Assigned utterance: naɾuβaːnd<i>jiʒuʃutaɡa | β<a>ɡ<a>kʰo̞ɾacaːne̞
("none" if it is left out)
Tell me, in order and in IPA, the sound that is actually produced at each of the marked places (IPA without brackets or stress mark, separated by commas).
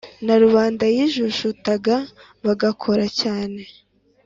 a, a, a